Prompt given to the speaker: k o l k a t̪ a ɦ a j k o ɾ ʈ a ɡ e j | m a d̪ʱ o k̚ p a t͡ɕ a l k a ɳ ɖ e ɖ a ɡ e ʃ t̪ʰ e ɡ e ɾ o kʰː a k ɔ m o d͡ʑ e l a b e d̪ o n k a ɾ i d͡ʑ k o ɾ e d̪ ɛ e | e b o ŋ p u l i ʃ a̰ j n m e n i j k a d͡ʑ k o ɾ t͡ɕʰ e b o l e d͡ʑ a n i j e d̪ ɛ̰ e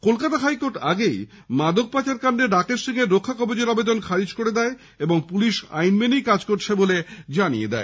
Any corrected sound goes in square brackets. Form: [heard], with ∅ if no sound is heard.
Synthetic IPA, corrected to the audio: k o l k a t̪ a ɦ a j k o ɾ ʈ a ɡ e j | m a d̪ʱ o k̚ p a t͡ɕ a [ɾ] k a ɳ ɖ e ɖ a [k] e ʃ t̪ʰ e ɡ e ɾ o kʰː a k ɔ [b] o d͡ʑ e [ɾ] a b e d̪ o n [kʰ] a ɾ i d͡ʑ k o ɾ e d̪ ɛ e | e b o ŋ p u l i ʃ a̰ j n m e n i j k a d͡ʑ k o ɾ t͡ɕʰ e b o l e d͡ʑ a n i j e d̪ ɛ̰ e